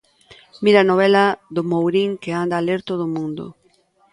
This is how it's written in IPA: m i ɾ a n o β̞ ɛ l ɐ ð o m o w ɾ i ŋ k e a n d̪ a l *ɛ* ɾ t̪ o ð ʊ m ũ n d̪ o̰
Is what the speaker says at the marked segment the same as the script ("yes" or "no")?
no